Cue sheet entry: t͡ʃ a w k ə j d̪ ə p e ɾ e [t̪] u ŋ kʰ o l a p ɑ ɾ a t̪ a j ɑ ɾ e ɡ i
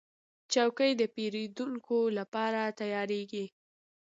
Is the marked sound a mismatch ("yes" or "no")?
yes